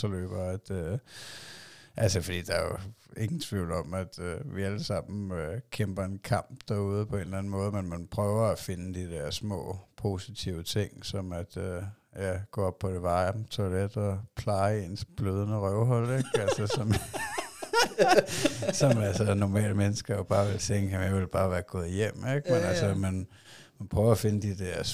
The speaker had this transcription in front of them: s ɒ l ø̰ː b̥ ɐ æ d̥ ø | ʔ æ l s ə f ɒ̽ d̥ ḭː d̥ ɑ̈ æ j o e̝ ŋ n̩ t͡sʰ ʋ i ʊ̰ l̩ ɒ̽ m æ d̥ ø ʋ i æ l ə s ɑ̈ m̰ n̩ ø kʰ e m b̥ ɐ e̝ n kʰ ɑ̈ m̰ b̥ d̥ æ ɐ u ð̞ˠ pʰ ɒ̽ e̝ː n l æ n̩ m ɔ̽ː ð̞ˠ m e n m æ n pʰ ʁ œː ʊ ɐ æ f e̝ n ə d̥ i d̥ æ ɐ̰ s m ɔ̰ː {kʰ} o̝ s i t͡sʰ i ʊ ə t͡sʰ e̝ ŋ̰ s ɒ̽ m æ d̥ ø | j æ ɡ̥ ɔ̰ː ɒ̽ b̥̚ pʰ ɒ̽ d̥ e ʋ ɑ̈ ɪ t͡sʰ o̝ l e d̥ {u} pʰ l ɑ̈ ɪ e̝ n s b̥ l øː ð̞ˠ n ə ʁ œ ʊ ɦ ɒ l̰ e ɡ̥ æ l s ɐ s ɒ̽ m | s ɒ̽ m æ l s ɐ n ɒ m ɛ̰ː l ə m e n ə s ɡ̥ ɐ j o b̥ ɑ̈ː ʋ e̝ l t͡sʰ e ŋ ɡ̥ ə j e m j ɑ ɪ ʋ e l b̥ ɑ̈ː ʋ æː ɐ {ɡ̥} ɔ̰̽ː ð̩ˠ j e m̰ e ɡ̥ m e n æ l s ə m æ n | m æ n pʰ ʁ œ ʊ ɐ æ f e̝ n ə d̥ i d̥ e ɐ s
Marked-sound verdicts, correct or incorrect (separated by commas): incorrect, incorrect, correct